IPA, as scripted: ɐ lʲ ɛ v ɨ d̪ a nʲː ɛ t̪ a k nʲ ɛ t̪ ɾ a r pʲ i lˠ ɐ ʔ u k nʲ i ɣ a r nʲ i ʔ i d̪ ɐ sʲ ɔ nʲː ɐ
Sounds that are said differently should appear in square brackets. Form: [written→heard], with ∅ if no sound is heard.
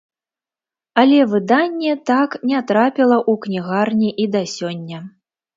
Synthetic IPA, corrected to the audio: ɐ lʲ ɛ v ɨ d̪ a nʲː ɛ t̪ a k nʲ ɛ t̪ ɾ a [r→∅] pʲ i lˠ ɐ ʔ u k nʲ i ɣ a r nʲ i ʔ i d̪ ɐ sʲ ɔ nʲː ɐ